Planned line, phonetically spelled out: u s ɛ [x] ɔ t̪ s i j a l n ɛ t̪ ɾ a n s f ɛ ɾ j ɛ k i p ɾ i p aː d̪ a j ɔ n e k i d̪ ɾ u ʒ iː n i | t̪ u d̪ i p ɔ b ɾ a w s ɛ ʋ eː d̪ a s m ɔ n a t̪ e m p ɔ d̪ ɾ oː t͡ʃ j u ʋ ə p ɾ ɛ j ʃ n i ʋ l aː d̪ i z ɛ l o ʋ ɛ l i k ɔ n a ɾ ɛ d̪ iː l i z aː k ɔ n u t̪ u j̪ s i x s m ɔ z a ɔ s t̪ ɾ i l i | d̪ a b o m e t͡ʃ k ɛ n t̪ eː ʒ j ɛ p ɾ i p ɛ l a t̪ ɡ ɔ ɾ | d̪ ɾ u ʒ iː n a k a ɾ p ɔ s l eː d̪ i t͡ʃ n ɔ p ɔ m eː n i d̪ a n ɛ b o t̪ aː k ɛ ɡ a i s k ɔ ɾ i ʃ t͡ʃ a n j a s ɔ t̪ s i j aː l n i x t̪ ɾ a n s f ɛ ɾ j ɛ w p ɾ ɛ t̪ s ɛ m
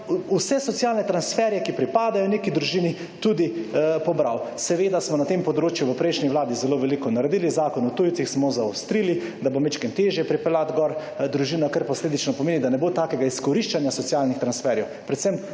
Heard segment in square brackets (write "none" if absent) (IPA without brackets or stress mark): s